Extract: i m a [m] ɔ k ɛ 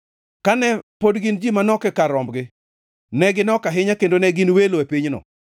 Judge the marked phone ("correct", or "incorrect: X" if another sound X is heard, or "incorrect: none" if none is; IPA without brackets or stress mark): incorrect: n